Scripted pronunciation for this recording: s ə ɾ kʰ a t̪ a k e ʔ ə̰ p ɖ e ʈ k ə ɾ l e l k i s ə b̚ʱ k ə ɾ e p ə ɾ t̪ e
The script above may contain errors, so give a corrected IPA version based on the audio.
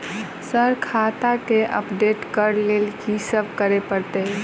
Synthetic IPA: s ə ɾ kʰ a t̪ a k e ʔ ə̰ p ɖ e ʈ k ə ɾ l e l k i s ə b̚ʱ k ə ɾ e p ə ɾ t̪ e